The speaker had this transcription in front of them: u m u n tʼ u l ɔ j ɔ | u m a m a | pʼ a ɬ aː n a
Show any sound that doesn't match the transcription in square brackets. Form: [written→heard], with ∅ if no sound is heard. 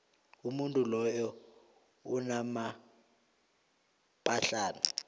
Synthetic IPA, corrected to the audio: u m u n tʼ u l ɔ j ɔ | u [m→n] a m a | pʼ a ɬ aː n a